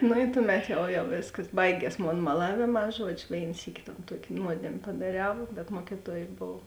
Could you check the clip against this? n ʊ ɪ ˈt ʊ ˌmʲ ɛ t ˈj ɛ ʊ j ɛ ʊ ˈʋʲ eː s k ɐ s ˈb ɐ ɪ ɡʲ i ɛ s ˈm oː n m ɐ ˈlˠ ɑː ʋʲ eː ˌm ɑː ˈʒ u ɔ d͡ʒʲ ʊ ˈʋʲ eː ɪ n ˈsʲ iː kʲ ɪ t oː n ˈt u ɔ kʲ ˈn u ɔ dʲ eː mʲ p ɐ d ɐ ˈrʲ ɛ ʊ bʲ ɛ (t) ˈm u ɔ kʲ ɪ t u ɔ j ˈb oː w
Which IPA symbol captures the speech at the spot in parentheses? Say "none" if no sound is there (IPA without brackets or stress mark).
t